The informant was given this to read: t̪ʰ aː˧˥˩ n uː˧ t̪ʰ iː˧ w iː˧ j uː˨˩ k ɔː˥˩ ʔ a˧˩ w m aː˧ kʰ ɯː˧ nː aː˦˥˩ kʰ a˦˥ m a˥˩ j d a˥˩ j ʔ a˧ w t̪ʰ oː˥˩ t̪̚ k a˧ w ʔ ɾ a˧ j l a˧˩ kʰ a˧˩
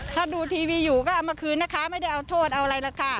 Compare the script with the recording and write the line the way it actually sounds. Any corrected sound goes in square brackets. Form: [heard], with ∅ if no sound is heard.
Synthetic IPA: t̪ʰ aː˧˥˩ [d] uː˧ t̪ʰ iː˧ w iː˧ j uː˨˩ k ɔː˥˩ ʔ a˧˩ w m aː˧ kʰ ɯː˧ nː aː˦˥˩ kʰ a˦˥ m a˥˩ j d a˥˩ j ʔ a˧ w t̪ʰ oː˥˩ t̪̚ [ʔ] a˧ w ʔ ɾ a˧ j l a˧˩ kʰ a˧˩